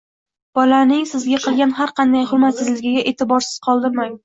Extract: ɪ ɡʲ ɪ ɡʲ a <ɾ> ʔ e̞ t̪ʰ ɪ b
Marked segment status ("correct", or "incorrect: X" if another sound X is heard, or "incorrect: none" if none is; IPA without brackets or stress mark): incorrect: none